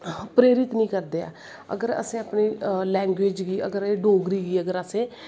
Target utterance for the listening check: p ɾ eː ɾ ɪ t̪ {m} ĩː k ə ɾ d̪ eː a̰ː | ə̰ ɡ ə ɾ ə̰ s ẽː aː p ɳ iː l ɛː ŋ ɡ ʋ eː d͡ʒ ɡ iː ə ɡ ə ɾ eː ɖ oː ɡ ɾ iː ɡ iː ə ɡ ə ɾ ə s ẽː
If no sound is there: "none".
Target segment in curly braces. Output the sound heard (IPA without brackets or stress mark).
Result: n